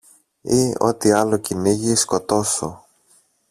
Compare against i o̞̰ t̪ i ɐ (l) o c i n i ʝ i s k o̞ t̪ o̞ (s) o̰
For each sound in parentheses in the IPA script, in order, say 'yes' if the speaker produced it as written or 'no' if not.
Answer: yes, yes

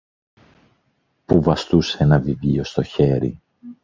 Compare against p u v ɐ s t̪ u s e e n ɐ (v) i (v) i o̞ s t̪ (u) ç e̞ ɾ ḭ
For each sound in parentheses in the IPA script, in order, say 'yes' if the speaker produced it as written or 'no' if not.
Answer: yes, yes, no

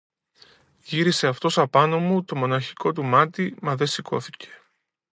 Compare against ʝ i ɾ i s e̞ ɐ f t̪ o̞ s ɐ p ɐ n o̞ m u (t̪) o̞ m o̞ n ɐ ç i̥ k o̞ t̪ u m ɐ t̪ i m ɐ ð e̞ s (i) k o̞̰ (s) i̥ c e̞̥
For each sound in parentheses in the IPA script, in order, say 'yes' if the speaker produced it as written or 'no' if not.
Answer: yes, yes, no

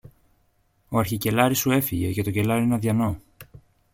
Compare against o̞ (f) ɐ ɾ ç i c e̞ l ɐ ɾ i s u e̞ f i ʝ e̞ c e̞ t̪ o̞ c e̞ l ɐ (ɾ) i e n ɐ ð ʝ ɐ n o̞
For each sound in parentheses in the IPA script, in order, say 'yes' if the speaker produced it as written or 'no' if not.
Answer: no, yes

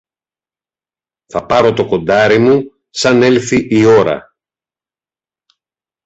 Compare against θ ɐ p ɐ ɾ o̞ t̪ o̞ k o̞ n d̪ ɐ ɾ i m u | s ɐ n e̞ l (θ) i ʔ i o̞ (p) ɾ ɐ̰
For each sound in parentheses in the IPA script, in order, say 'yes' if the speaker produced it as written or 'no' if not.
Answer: yes, no

